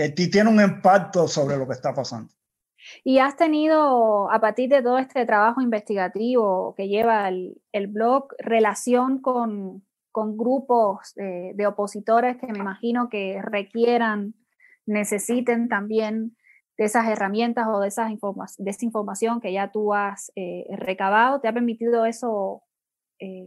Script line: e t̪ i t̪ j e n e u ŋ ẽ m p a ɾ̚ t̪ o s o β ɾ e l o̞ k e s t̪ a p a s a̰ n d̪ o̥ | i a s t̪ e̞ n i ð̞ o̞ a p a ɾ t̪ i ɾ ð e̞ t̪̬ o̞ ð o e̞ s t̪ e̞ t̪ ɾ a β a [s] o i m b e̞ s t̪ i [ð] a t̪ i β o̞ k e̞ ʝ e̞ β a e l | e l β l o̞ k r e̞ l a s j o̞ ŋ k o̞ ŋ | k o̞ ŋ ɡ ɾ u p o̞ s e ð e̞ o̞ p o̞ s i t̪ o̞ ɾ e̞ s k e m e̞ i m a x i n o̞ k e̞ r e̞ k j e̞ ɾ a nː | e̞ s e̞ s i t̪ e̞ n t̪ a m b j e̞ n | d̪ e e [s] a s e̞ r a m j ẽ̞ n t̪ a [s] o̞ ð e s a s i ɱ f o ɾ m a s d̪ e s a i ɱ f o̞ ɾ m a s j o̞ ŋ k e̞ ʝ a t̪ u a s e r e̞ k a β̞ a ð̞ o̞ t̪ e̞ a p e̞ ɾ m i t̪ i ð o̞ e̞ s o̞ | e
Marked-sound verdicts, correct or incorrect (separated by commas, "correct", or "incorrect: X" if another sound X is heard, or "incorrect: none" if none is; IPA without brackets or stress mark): incorrect: x, incorrect: ɣ, correct, correct